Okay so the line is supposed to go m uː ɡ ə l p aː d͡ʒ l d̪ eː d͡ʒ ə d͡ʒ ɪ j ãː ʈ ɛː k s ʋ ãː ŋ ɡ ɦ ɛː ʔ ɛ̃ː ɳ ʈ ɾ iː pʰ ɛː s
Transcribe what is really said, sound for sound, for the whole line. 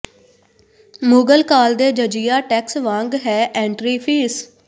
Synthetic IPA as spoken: m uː ɡ ə l k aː l d̪ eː d͡ʒ ə d͡ʒ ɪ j aː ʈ ɛː k s ʋ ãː ŋ ɡ ɦ ɛː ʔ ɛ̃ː ɳ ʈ ɾ iː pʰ iː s